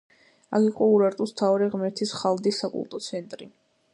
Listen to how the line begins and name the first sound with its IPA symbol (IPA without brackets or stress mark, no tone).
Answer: a